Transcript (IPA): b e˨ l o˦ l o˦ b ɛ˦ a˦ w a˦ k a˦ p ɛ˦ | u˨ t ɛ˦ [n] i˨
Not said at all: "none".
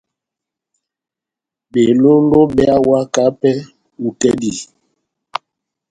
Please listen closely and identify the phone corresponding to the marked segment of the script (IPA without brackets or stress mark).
d